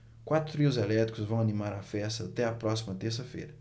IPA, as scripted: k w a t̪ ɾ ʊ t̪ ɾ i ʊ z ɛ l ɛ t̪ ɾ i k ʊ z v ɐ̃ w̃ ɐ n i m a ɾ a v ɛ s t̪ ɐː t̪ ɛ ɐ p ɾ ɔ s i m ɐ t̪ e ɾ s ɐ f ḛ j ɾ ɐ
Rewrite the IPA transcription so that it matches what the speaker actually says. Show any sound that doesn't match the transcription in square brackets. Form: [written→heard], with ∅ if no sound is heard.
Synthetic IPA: k w a t̪ ɾ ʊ t̪ ɾ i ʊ z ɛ l ɛ t̪ ɾ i k ʊ z v ɐ̃ w̃ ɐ n i m a ɾ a [v→f] ɛ s t̪ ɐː t̪ ɛ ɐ p ɾ ɔ s i m ɐ t̪ e ɾ s ɐ f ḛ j ɾ ɐ